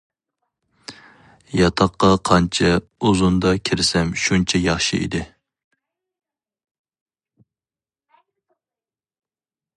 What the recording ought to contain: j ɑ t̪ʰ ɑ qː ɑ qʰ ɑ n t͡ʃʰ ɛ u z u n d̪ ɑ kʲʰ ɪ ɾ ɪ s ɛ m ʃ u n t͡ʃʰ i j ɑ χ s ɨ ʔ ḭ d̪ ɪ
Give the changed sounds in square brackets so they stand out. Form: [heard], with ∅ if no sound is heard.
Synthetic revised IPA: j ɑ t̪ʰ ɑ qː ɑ qʰ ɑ n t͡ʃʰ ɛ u z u n d̪ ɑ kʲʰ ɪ ɾ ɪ s ɛ m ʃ u n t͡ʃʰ [ɛ] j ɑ χ [ʃ] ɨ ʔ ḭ d̪ ɪ